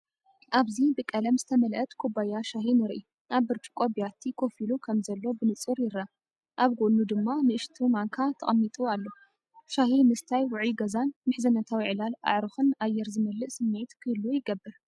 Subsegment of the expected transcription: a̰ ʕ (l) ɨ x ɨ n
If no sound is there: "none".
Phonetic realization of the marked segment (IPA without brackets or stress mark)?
ɾ